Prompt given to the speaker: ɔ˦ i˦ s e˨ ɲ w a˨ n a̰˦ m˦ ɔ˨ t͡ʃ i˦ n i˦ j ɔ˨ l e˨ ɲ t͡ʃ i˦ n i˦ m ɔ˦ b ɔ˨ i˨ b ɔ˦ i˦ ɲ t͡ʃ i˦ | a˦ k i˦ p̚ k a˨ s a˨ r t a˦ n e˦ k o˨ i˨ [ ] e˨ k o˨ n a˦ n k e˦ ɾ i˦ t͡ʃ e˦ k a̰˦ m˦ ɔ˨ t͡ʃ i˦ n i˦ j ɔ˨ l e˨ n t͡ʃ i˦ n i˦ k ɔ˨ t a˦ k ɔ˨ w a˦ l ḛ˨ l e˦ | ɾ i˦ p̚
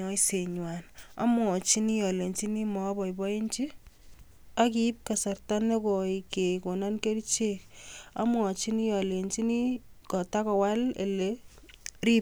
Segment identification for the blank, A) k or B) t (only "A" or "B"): A